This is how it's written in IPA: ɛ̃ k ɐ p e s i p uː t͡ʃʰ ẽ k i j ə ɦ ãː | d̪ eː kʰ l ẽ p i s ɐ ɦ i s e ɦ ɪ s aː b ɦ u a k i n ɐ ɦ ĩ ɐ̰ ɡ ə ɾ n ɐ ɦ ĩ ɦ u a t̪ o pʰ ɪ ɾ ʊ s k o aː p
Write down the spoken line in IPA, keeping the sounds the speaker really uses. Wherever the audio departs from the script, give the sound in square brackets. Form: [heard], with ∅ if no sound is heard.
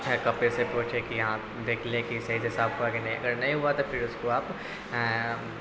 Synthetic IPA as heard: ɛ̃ k ɐ p e s [e] p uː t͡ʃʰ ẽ k i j [ɐ] ɦ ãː | d̪ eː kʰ l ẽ [k] i s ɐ ɦ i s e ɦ ɪ s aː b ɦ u a k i n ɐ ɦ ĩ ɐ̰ ɡ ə ɾ n ɐ ɦ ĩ ɦ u a t̪ o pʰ ɪ ɾ ʊ s k o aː p

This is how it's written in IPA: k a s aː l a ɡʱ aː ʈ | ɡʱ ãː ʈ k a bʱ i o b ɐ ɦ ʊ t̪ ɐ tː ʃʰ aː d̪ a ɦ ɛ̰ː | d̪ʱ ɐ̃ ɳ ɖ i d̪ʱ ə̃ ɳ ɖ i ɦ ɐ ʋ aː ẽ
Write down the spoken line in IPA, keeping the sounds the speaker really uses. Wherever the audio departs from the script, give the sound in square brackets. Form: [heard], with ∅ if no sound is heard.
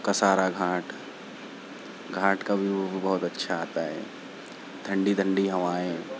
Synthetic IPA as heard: k a s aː [ɾ] a ɡʱ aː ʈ | ɡʱ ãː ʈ k a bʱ i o b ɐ ɦ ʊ t̪ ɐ tː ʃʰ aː [t̪] a ɦ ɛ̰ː | d̪ʱ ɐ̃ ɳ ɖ i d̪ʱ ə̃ ɳ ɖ i ɦ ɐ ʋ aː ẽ

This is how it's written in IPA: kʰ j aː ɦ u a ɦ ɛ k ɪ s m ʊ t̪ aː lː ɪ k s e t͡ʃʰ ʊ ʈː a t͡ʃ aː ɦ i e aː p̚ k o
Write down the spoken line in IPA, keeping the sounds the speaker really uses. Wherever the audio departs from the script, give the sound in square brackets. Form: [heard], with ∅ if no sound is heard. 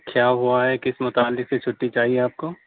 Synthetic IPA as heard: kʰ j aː ɦ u a ɦ ɛ k ɪ s m ʊ t̪ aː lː ɪ k s e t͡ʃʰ ʊ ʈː [i] t͡ʃ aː ɦ i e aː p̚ k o

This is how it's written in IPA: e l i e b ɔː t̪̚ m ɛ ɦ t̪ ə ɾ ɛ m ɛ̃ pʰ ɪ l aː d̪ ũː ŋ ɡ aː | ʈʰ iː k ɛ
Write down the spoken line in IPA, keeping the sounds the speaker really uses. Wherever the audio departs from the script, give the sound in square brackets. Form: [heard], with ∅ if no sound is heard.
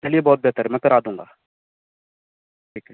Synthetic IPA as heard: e l i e b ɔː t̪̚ [b] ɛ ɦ t̪ ə ɾ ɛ m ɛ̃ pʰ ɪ [ɾ] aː d̪ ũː ŋ ɡ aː | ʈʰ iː k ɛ

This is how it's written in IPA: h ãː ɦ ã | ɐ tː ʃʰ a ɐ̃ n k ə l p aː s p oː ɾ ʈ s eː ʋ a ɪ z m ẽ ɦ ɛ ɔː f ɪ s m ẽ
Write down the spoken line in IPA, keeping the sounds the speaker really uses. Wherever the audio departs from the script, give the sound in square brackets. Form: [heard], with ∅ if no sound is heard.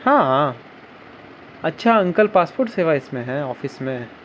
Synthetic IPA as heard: h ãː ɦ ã | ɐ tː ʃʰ a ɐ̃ [ŋ] k ə l p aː s p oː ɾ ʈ s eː ʋ a ɪ [s] m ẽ ɦ ɛ ɔː f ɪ s m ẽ

